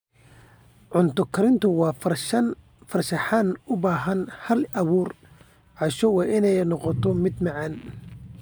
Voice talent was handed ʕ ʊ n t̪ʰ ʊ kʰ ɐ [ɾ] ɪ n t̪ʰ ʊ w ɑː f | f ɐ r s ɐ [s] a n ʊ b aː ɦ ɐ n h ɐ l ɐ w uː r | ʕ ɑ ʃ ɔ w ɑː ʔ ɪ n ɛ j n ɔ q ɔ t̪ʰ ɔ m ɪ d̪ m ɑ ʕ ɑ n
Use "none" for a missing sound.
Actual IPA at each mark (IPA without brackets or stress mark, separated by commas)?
ɾ, ħ